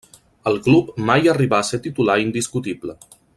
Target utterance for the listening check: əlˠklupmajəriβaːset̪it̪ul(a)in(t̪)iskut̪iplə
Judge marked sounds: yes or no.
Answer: yes, no

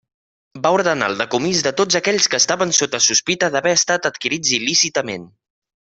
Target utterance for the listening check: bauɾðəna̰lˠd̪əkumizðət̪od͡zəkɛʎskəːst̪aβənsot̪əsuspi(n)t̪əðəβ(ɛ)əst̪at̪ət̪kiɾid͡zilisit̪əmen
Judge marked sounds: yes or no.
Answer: no, yes

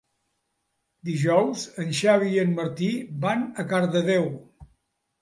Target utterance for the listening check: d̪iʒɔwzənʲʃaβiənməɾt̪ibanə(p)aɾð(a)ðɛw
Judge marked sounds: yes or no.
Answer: no, no

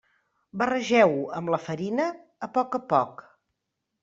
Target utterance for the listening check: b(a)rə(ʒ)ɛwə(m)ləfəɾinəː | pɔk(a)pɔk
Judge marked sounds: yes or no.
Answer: no, yes, yes, no

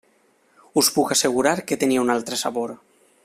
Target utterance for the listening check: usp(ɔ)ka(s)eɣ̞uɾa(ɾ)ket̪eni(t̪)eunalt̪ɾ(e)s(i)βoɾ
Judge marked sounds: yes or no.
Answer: no, yes, yes, no, yes, no

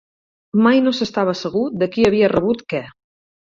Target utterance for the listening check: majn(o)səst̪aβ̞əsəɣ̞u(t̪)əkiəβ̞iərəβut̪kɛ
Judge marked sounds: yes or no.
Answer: yes, no

